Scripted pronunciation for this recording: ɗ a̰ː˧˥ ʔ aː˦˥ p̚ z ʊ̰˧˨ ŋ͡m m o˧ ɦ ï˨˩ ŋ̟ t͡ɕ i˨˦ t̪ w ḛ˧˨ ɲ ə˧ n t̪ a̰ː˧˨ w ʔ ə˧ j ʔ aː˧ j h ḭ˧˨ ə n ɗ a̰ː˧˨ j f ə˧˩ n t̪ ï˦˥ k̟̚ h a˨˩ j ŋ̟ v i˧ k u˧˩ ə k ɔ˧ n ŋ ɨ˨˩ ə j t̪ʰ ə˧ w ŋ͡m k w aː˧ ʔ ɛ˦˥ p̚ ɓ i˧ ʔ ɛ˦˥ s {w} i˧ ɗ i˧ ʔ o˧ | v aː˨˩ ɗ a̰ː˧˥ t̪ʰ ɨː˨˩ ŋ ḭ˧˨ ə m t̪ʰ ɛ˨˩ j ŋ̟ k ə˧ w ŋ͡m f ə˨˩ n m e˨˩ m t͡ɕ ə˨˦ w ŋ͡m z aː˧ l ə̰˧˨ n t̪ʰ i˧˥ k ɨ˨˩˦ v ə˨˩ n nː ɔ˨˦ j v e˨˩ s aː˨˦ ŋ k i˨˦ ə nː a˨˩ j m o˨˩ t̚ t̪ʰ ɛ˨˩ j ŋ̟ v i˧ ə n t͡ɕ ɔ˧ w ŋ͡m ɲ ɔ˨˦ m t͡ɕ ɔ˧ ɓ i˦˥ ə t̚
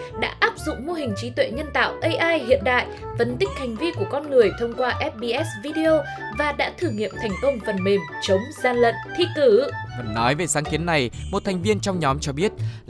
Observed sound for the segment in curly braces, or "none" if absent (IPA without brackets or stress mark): v